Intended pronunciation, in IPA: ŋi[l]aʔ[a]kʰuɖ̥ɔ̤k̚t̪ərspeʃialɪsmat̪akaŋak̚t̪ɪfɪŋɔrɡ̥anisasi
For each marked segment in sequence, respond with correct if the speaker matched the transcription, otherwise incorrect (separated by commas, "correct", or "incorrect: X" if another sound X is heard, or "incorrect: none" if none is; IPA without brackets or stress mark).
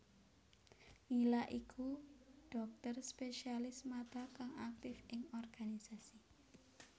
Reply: correct, incorrect: i